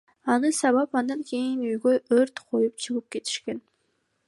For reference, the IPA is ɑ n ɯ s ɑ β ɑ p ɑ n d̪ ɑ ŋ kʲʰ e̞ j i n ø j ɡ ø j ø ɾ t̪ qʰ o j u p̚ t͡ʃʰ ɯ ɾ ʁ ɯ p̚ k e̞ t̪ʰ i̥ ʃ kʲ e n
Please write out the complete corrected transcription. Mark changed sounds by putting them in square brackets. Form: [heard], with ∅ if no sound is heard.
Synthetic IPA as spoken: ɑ n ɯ s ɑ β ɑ p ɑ n d̪ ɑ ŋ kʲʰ e̞ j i n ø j ɡ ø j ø ɾ t̪ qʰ o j u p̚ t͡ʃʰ ɯ [∅] ʁ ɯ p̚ k e̞ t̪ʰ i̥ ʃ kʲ e n